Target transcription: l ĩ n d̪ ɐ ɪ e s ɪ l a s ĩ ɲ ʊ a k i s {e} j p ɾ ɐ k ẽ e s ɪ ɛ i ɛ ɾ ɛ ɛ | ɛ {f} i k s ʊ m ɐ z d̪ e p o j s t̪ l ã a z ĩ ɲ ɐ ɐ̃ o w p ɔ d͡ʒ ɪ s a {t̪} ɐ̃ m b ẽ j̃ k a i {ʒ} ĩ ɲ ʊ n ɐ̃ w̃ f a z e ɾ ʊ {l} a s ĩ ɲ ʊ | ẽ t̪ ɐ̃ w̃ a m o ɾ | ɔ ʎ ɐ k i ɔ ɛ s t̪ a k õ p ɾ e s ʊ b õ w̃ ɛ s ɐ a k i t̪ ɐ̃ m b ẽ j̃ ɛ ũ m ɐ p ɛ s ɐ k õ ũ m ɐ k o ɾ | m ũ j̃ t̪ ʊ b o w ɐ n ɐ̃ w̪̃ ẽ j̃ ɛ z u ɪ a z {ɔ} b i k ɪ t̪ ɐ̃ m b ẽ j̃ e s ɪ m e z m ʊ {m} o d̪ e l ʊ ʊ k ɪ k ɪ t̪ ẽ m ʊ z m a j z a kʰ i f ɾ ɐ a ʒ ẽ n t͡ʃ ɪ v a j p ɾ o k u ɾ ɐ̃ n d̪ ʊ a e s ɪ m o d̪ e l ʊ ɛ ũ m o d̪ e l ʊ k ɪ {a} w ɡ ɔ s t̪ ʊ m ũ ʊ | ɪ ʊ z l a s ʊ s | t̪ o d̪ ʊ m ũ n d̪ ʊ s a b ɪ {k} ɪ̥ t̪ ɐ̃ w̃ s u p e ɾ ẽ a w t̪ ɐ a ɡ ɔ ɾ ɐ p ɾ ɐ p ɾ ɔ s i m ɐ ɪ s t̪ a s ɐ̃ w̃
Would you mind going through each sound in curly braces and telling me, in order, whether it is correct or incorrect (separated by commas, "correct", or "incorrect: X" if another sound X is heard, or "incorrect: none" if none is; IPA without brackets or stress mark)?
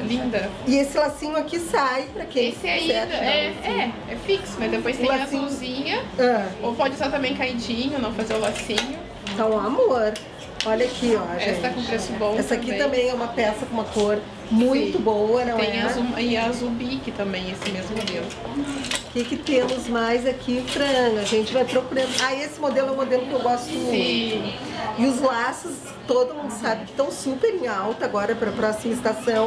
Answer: incorrect: a, correct, correct, incorrect: d͡ʒ, correct, incorrect: u, correct, incorrect: e, correct